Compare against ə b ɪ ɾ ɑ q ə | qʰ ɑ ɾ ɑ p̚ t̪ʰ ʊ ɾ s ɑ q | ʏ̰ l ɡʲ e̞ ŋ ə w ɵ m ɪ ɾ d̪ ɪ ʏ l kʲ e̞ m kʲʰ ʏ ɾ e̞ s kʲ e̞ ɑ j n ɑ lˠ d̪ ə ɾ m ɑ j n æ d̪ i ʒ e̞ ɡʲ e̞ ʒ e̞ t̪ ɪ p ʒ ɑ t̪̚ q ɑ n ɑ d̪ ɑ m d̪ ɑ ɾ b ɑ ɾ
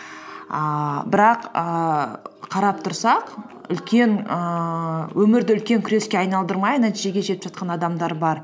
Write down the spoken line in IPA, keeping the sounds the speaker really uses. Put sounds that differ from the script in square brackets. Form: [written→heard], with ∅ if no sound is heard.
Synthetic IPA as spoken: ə b ɪ ɾ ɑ q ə | qʰ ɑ ɾ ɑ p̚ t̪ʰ ʊ ɾ s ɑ q | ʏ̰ l [ɡʲ→kʲ] e̞ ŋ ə w ɵ m ɪ ɾ d̪ ɪ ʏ l kʲ e̞ [m→ŋ] kʲʰ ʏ ɾ e̞ s kʲ e̞ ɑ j n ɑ lˠ d̪ ə ɾ m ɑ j n æ [d̪→t̪] i ʒ e̞ ɡʲ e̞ ʒ e̞ t̪ ɪ p ʒ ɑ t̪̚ q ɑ n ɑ d̪ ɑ m d̪ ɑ ɾ b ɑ ɾ

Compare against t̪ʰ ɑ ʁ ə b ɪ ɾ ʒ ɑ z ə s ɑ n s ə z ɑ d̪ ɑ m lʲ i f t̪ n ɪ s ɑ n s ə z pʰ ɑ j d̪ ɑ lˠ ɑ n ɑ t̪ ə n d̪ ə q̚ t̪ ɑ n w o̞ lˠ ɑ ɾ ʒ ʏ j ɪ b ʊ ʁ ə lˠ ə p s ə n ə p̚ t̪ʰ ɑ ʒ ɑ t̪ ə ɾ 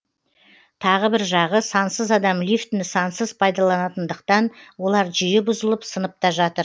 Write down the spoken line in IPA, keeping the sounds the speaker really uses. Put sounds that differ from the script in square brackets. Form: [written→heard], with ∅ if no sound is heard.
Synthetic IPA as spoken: t̪ʰ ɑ ʁ ə b ɪ ɾ ʒ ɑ [z→ʁ] ə s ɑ n s ə z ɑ d̪ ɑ m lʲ i f t̪ n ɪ s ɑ n s ə z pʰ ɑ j d̪ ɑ lˠ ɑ n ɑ t̪ ə n d̪ ə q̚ t̪ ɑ n w o̞ lˠ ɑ ɾ ʒ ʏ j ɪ b ʊ [ʁ→z] ə lˠ ə p s ə n ə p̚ [t̪ʰ→t̪] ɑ ʒ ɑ t̪ ə ɾ

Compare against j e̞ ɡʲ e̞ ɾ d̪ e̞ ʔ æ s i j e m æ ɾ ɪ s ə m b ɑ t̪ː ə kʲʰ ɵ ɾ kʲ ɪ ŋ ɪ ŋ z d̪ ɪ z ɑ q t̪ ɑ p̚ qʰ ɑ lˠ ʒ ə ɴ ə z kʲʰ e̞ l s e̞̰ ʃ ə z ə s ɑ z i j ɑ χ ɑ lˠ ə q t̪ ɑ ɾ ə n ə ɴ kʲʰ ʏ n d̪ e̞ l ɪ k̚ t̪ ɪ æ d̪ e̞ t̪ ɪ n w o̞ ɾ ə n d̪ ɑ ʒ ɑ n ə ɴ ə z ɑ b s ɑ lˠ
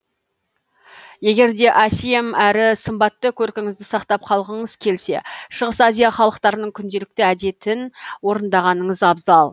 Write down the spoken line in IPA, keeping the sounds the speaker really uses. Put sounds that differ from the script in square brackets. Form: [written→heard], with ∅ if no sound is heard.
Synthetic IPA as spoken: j e̞ ɡʲ e̞ ɾ d̪ e̞ ʔ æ s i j e m æ ɾ ɪ s ə m b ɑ t̪ː ə kʲʰ ɵ ɾ kʲ ɪ ŋ ɪ [ŋ→∅] z d̪ ɪ [z→s] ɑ q t̪ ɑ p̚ qʰ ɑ lˠ [ʒ→ʁ] ə ɴ ə z kʲʰ e̞ l s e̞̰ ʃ ə [z→ʁ] ə s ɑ z i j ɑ χ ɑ lˠ ə q t̪ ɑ ɾ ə n ə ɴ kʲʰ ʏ n d̪ e̞ l ɪ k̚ t̪ ɪ æ d̪ e̞ t̪ ɪ n w o̞ ɾ ə n d̪ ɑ [ʒ→ʁ] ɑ n ə ɴ ə z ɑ b [s→z] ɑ lˠ

